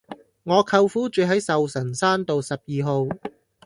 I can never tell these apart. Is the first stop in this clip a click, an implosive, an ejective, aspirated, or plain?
aspirated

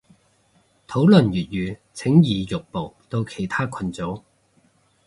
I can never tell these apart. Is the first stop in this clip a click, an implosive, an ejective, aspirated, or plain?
aspirated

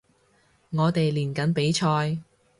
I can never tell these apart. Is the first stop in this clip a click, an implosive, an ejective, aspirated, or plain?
plain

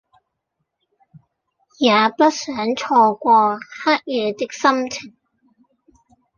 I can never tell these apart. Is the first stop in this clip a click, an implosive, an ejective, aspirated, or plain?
plain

